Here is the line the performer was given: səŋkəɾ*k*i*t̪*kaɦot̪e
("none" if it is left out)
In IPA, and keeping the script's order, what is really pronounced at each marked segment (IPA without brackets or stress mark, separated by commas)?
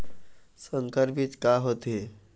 p, t̪